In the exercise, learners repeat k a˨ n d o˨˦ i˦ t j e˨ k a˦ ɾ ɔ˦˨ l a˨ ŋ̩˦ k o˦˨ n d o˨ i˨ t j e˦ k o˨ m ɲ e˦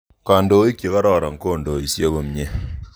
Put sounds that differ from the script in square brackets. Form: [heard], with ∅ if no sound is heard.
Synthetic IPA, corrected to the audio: k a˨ n d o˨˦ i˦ [k] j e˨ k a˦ ɾ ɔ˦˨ [ɾ] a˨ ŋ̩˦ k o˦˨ n d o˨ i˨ [s] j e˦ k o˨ m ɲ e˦